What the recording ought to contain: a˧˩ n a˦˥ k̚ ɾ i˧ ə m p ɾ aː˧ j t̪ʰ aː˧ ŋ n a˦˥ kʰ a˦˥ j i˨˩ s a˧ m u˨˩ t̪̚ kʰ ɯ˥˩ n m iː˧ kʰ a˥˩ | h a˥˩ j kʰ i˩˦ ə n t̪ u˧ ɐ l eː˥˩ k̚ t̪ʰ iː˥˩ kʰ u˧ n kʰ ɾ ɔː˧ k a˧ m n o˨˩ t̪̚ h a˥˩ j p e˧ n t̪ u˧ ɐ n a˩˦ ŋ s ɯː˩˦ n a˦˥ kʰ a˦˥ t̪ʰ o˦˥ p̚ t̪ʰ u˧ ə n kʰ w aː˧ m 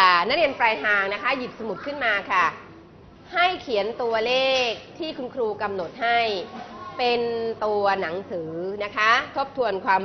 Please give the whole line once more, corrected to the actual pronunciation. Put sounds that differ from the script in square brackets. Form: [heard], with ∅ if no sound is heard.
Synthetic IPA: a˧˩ n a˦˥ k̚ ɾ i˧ ə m p ɾ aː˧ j t̪ʰ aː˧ ŋ n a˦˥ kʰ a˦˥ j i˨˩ s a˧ m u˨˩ t̪̚ kʰ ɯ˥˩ n m [aː˧] kʰ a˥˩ | h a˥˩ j kʰ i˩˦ ə n t̪ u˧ ɐ l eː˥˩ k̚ t̪ʰ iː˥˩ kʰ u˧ n kʰ ɾ [uː˧] k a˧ m n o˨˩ t̪̚ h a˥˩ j p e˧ n t̪ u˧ ɐ n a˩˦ ŋ s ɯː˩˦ n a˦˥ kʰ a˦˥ t̪ʰ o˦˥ p̚ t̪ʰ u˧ ə n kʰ w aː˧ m